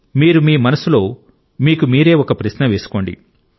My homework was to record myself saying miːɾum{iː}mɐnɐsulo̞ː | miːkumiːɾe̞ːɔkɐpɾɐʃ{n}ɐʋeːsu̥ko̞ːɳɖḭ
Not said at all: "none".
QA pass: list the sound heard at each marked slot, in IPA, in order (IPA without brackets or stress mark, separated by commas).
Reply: iː, n